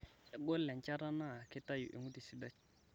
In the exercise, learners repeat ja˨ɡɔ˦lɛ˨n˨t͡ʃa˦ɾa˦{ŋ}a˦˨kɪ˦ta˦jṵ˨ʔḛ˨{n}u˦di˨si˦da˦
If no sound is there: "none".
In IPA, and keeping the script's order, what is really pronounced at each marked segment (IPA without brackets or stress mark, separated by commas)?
n, ŋ